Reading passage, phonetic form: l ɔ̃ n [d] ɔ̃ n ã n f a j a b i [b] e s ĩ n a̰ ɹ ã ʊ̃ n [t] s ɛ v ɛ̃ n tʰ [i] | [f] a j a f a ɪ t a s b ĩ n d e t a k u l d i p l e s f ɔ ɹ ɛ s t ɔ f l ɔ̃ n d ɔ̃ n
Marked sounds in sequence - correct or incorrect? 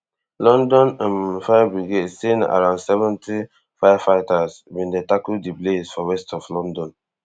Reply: correct, incorrect: ɡ, incorrect: d, correct, correct

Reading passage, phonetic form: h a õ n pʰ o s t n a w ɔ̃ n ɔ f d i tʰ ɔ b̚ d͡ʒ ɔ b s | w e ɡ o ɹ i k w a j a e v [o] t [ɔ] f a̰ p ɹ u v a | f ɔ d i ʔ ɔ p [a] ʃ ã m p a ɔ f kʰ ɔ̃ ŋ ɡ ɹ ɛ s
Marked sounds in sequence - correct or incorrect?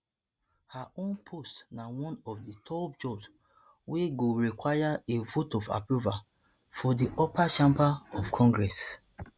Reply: correct, correct, correct

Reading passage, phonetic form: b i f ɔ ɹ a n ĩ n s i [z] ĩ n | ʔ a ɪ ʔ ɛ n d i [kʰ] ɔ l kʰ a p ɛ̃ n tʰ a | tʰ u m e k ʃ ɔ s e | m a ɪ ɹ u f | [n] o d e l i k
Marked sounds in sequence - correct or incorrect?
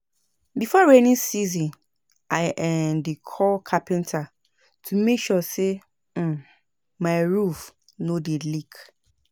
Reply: correct, correct, correct

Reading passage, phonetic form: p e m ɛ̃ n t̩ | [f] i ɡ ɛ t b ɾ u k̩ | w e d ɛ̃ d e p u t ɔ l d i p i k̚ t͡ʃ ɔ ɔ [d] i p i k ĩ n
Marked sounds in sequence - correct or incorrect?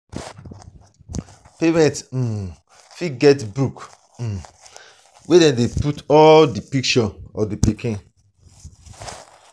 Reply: correct, correct

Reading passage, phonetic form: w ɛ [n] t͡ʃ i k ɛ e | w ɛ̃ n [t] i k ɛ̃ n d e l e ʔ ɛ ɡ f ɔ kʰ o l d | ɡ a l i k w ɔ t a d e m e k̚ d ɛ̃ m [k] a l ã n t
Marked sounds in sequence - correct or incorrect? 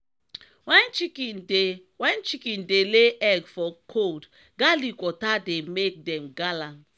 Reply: correct, incorrect: t͡ʃ, incorrect: ɡ

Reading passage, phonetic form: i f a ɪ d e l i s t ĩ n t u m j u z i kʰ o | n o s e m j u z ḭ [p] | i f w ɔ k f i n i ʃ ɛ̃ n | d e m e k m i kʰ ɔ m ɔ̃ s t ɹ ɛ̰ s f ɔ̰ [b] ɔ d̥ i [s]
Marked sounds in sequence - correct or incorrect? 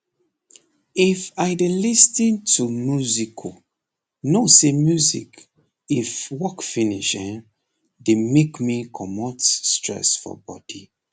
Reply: incorrect: k, correct, incorrect: none

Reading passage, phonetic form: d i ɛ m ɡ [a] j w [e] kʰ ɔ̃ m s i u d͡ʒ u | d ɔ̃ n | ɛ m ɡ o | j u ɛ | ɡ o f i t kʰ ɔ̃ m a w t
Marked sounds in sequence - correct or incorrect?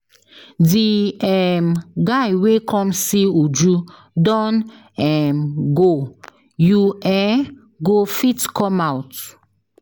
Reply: correct, correct

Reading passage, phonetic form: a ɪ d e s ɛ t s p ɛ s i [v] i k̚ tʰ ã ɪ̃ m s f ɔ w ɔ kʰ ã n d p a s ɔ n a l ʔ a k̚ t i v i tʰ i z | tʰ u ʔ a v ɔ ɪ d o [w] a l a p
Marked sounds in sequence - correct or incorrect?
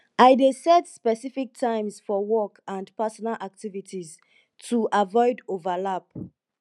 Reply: incorrect: f, incorrect: v

